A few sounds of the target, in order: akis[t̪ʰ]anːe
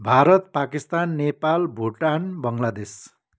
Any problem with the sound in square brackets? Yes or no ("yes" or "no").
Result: yes